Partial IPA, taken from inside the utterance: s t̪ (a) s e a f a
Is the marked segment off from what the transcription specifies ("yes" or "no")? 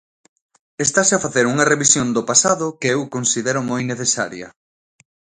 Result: no